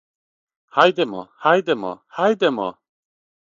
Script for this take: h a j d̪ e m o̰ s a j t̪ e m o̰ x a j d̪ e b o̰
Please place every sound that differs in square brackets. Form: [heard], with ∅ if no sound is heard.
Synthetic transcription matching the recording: h a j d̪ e m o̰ [h] a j [d̪] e m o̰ [h] a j d̪ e [m] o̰